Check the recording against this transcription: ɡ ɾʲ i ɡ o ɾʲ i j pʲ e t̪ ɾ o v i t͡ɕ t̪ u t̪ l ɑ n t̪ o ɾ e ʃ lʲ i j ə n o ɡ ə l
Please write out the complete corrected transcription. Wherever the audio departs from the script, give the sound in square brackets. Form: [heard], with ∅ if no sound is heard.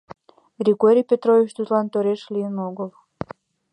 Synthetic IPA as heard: ɡ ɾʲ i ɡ o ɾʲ i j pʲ e t̪ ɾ o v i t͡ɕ t̪ u t̪ l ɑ n t̪ o ɾ e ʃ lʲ i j ə n o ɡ ə l